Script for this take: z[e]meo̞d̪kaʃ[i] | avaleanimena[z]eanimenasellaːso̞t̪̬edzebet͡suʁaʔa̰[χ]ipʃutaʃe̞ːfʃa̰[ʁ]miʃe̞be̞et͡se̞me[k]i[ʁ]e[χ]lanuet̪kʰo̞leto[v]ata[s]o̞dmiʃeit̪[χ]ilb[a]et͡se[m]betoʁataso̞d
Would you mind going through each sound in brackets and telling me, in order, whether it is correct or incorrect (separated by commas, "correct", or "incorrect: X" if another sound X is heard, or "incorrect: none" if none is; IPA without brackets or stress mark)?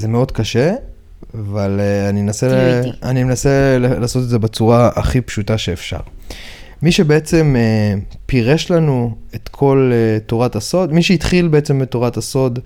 correct, incorrect: e, incorrect: s, correct, correct, incorrect: p, correct, incorrect: ʃ, incorrect: ʁ, correct, correct, incorrect: e, correct